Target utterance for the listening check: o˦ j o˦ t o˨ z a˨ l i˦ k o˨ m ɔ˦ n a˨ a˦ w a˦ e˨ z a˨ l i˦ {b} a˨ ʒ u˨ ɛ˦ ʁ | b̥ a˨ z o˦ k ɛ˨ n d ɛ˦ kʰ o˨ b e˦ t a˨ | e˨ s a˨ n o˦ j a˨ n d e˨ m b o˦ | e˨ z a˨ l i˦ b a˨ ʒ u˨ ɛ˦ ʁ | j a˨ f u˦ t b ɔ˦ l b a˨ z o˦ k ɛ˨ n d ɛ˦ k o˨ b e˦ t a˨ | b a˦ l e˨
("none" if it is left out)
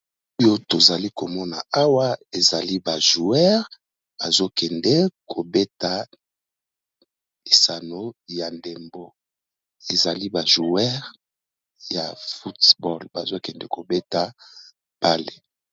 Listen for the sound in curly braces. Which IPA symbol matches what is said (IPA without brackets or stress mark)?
b